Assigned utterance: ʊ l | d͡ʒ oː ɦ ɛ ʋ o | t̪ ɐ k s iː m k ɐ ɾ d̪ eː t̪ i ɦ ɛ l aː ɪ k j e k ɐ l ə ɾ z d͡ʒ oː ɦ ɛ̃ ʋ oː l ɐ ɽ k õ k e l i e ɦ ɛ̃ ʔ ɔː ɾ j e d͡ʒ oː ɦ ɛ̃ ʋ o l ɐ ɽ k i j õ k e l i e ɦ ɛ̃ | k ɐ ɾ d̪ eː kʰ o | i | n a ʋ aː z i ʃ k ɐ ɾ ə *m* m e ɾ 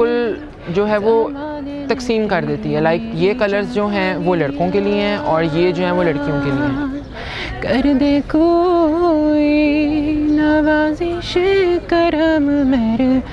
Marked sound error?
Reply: no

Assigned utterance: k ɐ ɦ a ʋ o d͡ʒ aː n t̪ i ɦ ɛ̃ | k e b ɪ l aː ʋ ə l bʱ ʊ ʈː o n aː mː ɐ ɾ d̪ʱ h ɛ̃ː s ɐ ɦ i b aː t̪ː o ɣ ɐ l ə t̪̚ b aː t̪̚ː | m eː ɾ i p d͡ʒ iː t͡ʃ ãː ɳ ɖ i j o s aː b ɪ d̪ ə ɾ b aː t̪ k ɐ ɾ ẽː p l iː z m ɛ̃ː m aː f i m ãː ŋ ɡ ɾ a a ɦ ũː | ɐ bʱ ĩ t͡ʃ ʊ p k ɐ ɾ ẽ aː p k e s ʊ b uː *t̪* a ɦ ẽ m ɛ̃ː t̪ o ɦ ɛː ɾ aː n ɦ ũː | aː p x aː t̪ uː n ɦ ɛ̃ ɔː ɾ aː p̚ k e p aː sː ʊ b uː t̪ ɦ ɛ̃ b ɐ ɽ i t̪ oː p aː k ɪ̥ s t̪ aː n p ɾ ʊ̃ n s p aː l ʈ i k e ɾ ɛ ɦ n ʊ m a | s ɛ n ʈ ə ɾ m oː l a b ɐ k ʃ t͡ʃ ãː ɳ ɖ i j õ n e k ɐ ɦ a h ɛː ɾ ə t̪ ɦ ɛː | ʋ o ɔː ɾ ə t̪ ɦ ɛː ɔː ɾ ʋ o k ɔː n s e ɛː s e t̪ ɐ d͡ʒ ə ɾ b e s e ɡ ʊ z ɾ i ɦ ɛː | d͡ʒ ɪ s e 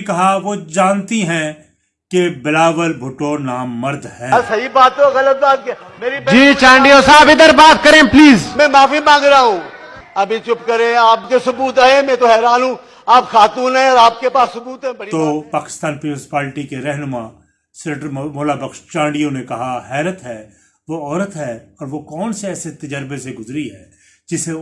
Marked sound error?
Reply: no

